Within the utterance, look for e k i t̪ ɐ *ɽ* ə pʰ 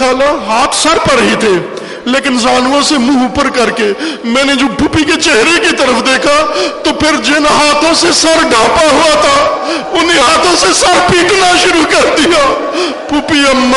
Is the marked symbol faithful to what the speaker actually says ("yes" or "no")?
no